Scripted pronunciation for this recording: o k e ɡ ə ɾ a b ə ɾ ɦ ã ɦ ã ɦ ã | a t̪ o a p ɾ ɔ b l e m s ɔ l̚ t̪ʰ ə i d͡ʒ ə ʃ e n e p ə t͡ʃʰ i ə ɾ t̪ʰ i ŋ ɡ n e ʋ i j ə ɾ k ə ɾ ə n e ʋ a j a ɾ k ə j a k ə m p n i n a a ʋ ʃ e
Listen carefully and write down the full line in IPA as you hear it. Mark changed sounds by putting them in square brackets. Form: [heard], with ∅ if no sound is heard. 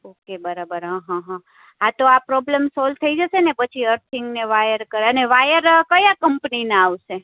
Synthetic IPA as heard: o k e [b] ə ɾ a b ə ɾ ɦ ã ɦ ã ɦ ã | a t̪ o a p ɾ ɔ b l e m s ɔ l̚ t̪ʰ ə i d͡ʒ ə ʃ e n e p ə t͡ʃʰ i ə ɾ t̪ʰ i ŋ ɡ n e ʋ [a] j ə ɾ k ə ɾ ə n e ʋ a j [ə] ɾ k ə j a k ə m p n i n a a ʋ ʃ e